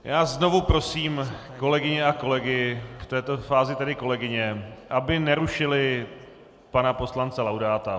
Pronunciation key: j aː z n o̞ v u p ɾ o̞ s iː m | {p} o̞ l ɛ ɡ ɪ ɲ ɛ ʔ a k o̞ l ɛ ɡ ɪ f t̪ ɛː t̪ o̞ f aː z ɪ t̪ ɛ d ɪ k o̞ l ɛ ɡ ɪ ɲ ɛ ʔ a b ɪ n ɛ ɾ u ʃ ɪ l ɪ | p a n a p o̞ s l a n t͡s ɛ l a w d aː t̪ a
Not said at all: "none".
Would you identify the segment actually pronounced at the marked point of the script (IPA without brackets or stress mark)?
k